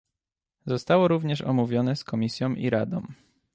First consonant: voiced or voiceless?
voiced